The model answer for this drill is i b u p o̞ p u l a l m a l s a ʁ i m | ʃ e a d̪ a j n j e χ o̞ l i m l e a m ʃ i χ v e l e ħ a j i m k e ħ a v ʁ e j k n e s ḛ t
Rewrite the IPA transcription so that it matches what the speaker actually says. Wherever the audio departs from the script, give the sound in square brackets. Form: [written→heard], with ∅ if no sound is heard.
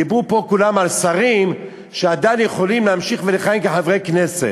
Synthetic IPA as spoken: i b u p o̞ [p→k] u l a [l→∅] m a l s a ʁ i m | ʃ e a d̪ a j n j e χ o̞ l i m l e a m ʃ i χ v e l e [ħ→χ] a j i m k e ħ a v ʁ e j k n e s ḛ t